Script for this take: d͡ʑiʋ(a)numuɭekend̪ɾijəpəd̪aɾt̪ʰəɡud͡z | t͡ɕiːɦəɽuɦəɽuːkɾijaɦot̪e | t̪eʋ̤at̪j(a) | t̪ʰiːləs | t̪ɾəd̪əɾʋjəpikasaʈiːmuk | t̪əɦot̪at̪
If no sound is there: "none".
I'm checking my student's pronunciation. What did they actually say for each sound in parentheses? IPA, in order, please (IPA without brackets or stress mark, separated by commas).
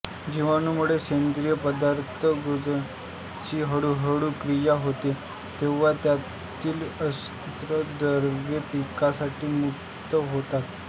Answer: a, a